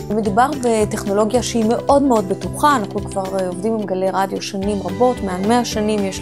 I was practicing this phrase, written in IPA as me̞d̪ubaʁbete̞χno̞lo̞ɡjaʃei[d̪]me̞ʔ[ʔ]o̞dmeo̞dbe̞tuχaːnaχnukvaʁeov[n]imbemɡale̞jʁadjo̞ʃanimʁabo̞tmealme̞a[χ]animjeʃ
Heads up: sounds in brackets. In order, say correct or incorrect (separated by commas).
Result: incorrect, correct, incorrect, incorrect